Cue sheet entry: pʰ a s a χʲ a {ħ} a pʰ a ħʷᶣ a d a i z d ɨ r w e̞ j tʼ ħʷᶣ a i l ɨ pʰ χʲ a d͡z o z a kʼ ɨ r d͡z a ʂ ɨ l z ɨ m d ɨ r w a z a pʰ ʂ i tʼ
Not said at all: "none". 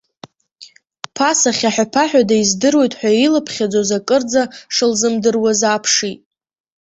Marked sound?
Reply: ħ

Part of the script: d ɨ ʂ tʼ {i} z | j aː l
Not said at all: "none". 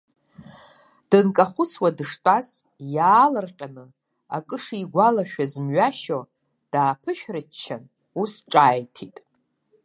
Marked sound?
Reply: a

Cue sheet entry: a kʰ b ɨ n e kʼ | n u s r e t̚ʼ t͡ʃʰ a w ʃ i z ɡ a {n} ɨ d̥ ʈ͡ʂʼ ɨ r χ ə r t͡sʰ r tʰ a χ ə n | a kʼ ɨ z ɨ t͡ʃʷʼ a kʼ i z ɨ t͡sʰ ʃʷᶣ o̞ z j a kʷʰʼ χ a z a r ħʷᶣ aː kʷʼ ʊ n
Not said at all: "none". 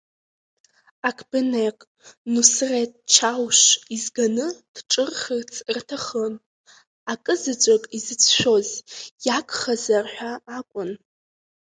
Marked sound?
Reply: n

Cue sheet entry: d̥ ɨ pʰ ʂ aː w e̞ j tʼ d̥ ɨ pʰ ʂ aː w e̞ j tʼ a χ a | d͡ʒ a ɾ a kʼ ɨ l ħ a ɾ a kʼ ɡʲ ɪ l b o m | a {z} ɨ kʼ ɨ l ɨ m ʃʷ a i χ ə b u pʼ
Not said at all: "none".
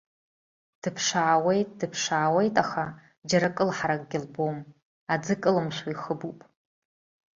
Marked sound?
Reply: d͡z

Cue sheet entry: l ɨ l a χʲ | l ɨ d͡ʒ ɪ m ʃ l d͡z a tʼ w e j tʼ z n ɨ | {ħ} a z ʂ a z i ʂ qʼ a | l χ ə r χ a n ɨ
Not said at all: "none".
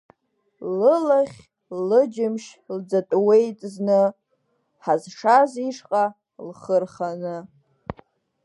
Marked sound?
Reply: ħ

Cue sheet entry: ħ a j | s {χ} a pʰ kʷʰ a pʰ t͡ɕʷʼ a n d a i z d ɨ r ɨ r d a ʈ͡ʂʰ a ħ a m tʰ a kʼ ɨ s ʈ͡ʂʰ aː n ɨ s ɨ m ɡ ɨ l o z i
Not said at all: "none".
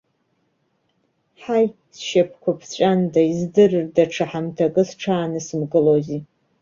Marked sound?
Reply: ʃ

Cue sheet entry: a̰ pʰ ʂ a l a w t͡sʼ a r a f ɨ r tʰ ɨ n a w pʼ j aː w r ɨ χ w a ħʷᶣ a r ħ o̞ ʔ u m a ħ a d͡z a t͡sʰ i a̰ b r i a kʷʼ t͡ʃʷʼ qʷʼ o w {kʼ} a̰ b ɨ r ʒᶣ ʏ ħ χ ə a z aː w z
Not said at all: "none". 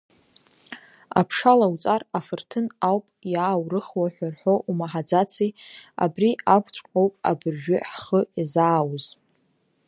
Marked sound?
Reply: pʼ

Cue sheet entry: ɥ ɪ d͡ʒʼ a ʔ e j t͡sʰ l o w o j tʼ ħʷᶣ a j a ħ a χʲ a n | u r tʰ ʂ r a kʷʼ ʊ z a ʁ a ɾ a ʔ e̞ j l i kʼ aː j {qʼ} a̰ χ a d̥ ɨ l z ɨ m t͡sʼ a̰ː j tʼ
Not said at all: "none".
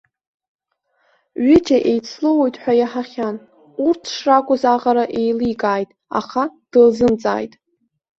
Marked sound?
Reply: tʼ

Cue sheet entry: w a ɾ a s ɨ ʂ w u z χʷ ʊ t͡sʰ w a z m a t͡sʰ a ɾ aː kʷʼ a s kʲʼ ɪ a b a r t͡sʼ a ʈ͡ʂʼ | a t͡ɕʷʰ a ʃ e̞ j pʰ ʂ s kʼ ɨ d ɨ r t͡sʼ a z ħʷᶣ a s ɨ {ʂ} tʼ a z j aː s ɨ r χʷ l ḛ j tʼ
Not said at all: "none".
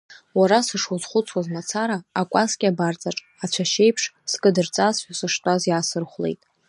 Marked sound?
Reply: ʂ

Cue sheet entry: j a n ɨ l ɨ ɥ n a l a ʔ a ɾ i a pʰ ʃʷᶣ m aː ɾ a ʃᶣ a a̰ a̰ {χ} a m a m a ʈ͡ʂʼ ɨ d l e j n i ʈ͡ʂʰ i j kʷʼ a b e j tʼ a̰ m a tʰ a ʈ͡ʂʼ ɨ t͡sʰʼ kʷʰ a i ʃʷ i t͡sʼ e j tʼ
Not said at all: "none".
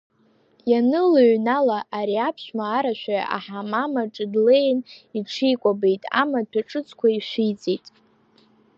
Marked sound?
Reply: ħ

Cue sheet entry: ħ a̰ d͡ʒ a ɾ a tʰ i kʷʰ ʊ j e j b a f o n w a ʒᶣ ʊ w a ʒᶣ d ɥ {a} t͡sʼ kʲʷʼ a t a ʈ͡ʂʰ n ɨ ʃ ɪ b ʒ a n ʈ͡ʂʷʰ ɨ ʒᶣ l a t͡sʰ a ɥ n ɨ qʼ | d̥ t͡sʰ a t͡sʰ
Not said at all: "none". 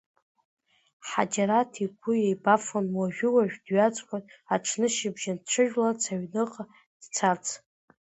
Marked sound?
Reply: a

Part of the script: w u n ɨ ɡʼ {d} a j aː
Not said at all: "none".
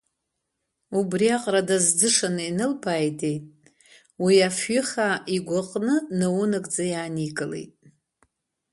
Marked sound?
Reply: d͡z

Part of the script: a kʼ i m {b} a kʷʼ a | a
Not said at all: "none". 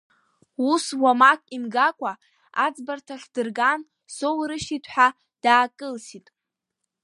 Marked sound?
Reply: ɡ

